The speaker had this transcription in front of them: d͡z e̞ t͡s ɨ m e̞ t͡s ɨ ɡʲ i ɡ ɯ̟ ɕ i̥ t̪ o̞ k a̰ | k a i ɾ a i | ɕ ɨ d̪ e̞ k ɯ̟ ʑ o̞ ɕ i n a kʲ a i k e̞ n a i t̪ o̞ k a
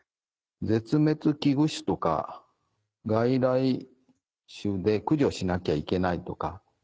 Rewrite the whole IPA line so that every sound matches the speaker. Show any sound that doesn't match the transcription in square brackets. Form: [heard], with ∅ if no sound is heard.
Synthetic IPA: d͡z e̞ t͡s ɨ m e̞ t͡s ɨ [kʲ] i ɡ ɯ̟ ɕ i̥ t̪ o̞ k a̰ | [ɡ] a i ɾ a i | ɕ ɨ d̪ e̞ k ɯ̟ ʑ o̞ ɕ i n a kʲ a i k e̞ n a i t̪ o̞ k a